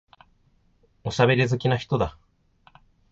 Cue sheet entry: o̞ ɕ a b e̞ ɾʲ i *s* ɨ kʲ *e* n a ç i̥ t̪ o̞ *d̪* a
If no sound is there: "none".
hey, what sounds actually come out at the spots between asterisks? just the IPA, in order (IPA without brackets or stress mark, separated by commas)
z, i, d̪